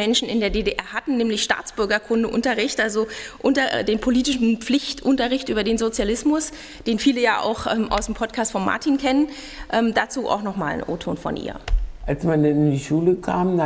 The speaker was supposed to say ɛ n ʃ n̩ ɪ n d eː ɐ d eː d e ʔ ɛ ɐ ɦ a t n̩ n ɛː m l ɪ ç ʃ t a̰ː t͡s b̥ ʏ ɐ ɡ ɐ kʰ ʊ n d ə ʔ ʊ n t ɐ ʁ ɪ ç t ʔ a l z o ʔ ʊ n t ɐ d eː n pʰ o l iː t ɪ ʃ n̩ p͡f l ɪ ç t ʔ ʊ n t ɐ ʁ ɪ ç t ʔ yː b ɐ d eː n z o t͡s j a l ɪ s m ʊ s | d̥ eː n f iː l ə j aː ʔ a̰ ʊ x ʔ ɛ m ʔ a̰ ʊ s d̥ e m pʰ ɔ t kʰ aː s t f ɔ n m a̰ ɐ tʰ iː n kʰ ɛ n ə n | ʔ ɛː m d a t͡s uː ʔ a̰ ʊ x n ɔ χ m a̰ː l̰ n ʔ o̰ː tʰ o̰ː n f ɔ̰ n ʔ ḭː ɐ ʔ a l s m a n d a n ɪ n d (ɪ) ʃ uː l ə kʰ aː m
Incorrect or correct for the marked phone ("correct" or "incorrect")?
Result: incorrect